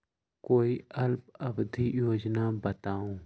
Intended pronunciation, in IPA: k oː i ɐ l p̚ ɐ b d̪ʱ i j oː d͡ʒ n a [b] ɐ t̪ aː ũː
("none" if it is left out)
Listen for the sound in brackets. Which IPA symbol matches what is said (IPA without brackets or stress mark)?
b